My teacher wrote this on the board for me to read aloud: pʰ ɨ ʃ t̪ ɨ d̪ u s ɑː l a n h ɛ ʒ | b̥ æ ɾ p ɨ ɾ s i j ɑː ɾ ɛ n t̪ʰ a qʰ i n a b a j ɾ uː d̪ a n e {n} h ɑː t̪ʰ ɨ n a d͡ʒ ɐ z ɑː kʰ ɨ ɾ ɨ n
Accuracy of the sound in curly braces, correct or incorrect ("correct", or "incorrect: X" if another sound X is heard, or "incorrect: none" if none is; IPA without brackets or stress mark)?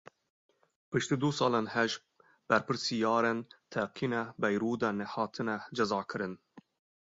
incorrect: none